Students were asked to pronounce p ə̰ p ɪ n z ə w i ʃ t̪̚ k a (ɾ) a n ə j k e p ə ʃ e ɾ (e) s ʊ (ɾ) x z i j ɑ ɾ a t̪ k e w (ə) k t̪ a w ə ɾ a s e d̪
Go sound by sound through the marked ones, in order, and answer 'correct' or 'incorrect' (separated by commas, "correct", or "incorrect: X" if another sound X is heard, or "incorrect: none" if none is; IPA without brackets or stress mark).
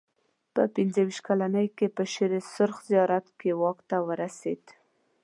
incorrect: l, correct, correct, incorrect: ɑ